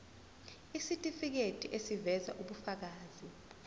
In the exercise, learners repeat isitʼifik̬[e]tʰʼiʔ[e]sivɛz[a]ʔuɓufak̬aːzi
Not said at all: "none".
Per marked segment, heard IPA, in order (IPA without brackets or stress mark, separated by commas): e, e, a